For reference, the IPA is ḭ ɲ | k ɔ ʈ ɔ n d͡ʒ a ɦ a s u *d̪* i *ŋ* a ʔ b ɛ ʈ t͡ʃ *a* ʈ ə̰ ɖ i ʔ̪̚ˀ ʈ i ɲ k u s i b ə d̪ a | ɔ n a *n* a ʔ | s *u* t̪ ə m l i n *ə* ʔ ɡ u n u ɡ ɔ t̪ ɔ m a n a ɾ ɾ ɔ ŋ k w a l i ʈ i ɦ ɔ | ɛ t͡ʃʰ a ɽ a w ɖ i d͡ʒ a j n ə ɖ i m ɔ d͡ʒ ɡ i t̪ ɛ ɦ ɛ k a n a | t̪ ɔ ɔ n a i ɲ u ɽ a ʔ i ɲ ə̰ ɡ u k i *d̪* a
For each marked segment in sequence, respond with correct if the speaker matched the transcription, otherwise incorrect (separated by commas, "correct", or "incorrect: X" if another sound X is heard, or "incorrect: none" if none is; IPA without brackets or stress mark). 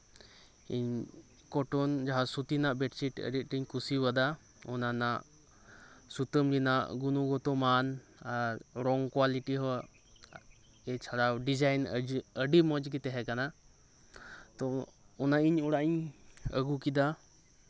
incorrect: t̪, incorrect: n, incorrect: i, correct, correct, incorrect: a, correct